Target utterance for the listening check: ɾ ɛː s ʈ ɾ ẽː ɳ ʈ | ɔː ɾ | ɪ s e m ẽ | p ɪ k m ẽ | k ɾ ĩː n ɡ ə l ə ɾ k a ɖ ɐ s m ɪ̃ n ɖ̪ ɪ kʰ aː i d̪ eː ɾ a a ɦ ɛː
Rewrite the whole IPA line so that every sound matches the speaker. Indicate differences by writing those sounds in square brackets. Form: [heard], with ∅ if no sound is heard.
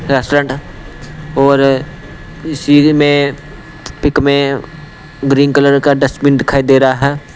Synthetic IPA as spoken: ɾ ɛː s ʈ ɾ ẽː ɳ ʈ | ɔː ɾ | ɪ s [i] m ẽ | p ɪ k m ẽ | [ɡ] ɾ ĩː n [k] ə l ə ɾ k a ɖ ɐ s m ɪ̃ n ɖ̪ ɪ kʰ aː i d̪ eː ɾ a a ɦ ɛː